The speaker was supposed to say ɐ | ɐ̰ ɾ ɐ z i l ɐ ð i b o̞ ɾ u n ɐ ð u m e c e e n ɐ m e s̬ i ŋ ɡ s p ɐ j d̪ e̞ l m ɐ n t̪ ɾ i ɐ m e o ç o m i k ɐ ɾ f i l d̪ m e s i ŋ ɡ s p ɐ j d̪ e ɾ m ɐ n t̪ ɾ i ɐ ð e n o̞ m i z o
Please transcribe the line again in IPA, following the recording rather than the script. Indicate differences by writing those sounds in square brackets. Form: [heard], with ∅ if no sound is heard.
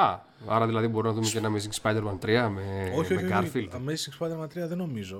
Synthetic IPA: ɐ | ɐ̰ ɾ ɐ [ð] i l ɐ ð i b o̞ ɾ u n ɐ ð u m e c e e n ɐ m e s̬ i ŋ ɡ s p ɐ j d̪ e̞ [ɾ] m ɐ n t̪ ɾ i ɐ m e o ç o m [e] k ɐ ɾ f i l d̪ m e s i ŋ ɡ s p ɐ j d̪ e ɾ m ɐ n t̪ ɾ i ɐ ð e n o̞ m i z o